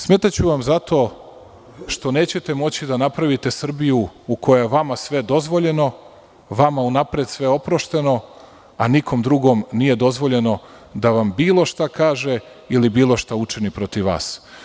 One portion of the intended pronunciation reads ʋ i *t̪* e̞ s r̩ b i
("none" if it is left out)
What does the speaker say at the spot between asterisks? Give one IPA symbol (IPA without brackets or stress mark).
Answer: t̪